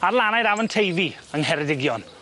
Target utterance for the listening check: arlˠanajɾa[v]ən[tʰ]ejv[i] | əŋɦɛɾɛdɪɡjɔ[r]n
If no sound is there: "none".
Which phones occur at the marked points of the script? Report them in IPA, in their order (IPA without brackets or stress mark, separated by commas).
v, tʰ, i, none